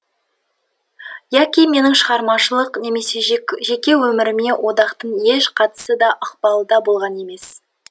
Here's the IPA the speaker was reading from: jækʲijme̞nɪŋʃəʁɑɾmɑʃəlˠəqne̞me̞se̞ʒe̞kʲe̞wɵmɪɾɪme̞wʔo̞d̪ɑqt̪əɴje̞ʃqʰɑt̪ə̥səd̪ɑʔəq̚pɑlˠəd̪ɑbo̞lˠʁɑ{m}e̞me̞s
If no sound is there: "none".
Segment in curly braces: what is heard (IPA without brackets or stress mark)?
n